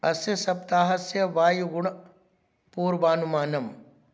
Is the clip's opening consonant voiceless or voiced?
voiceless